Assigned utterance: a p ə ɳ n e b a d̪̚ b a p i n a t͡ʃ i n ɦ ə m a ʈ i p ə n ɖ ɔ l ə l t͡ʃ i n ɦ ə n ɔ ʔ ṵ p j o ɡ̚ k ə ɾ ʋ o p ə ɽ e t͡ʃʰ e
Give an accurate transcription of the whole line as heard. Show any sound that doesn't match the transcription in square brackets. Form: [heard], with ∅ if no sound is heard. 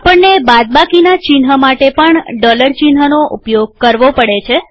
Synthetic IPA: a p ə ɳ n e b a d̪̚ b a [k] i n a t͡ʃ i n ɦ ə m a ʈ [e] p ə [ɳ] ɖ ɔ l ə [ɾ] t͡ʃ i n ɦ ə n [o] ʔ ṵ p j o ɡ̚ k ə ɾ ʋ o p ə ɽ e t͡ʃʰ e